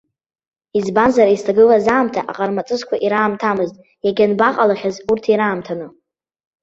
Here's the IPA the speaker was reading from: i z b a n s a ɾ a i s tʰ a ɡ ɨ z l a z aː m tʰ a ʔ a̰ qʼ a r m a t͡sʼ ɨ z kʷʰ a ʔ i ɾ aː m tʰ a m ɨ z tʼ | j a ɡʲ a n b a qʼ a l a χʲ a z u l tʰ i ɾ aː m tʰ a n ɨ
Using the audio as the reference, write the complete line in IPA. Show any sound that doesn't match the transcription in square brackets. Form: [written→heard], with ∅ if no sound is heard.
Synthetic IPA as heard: i z b a n [s→z] a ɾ a i s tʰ a ɡ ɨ [z→∅] l a z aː m tʰ a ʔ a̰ qʼ a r m a t͡sʼ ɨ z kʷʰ a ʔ i ɾ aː m tʰ a m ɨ z tʼ | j a ɡʲ a n b a qʼ a l a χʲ a z u [l→r] tʰ i ɾ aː m tʰ a n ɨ